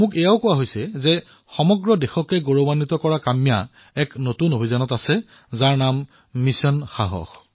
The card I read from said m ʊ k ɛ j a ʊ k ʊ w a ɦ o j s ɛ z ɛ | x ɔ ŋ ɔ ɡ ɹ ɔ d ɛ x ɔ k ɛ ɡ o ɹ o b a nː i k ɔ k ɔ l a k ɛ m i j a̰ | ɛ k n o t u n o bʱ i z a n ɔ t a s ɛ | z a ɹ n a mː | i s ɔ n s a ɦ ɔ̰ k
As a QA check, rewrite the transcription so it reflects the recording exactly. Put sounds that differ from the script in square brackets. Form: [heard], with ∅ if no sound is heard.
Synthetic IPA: m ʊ k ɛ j a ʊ k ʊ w a ɦ o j s ɛ z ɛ | x ɔ [m] ɔ ɡ ɹ ɔ d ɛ x ɔ k ɛ ɡ o ɹ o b a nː i [t] ɔ k ɔ [ɹ] a k [a] m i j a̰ | ɛ k n o t u n o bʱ i z a n ɔ t a s ɛ | z a ɹ n a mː | i s ɔ n [x] a ɦ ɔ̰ [x]